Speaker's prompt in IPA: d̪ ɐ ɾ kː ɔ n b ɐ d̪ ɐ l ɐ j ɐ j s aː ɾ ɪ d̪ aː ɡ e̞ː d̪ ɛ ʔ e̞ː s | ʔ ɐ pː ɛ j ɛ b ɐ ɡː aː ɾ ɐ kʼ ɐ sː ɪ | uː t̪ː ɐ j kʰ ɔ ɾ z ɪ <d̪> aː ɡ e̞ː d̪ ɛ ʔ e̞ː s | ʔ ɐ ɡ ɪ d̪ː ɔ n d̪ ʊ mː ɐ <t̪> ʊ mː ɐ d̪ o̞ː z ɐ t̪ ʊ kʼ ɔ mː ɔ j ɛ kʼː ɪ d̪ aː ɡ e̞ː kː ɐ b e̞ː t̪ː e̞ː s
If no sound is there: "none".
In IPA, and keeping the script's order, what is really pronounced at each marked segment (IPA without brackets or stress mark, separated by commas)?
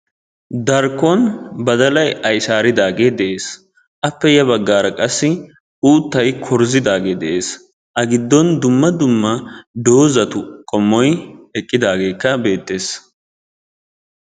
d̪, d̪